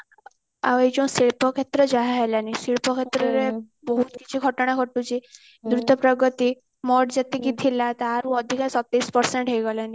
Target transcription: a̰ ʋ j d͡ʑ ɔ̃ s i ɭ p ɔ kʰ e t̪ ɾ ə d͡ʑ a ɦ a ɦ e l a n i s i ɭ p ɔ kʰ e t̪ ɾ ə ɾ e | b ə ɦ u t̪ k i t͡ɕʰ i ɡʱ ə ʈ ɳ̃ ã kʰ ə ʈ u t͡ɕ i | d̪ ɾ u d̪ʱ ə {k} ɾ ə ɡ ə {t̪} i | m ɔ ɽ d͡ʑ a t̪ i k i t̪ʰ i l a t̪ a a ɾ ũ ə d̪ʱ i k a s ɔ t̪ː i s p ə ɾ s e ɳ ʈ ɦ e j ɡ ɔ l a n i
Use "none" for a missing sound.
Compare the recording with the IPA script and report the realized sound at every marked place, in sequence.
p, t̪

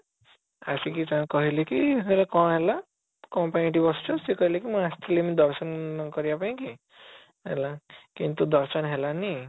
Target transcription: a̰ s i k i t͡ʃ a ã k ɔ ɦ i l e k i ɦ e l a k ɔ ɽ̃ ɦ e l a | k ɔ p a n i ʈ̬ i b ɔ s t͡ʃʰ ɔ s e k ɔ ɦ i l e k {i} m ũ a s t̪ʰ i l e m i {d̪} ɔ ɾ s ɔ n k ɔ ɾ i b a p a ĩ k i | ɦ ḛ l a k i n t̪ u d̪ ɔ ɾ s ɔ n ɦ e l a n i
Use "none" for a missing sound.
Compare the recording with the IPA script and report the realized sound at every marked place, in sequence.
i, d̪

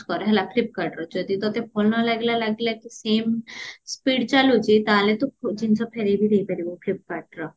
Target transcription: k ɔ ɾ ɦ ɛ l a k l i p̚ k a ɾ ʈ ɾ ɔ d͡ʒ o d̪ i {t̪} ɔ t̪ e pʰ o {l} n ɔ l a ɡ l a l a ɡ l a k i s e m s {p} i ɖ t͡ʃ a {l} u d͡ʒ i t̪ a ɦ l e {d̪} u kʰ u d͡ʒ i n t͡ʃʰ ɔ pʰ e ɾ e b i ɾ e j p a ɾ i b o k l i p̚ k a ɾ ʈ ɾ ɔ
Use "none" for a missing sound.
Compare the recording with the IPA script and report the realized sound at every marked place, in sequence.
t̪, l, p, l, t̪

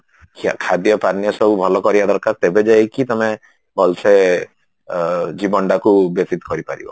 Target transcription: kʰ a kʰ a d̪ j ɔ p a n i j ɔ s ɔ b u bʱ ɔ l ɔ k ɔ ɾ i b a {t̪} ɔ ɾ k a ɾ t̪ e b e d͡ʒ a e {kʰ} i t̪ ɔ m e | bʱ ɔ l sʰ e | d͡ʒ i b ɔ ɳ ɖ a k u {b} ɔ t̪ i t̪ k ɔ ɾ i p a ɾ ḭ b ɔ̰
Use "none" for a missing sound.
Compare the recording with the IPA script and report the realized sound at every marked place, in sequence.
d̪, k, b

